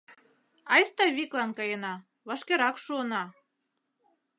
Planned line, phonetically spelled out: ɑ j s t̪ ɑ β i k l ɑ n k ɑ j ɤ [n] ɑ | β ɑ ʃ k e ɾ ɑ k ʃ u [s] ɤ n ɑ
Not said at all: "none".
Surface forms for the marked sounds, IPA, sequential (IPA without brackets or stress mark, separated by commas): n, none